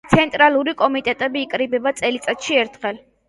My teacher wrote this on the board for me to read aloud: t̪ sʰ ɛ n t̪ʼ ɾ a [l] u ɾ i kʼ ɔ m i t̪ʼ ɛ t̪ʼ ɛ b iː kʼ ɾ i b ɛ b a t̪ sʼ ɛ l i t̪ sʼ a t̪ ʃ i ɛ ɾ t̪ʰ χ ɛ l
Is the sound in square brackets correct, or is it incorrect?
correct